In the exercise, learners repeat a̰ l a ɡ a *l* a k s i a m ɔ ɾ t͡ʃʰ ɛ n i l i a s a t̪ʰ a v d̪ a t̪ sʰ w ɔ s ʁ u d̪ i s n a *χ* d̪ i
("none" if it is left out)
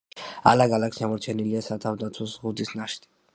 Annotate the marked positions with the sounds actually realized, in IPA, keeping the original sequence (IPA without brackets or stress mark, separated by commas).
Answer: l, ʃ